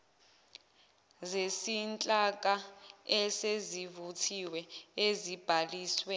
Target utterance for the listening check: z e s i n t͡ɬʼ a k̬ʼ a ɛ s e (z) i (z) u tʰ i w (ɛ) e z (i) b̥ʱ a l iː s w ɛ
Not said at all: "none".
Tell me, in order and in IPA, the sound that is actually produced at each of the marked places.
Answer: z, v, ɛ, i

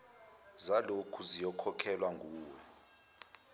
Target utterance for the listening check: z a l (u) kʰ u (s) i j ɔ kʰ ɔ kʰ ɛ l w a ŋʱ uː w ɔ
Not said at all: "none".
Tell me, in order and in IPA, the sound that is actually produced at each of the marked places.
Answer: o, z

